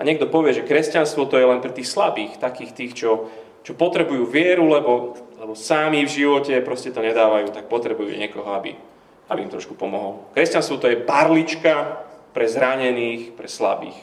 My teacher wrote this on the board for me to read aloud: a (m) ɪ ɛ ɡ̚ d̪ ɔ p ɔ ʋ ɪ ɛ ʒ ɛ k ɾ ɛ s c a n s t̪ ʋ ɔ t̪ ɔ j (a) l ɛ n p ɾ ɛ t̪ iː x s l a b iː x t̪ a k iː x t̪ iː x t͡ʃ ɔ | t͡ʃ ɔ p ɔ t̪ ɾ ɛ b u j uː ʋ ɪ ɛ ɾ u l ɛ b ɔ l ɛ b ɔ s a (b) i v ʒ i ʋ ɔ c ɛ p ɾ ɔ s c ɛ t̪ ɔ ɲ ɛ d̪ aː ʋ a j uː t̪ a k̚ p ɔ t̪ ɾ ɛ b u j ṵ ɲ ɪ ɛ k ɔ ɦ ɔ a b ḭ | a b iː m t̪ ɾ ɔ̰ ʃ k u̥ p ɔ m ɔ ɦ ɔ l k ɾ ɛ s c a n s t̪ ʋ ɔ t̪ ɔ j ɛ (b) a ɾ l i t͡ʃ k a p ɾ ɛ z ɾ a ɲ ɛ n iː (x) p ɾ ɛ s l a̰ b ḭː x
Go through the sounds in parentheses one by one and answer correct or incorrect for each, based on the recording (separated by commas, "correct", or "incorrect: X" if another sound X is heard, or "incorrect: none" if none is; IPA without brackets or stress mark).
incorrect: ɲ, incorrect: ɛ, incorrect: m, correct, correct